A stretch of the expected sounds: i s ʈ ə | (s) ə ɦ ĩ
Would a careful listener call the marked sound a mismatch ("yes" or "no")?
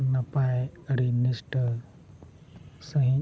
no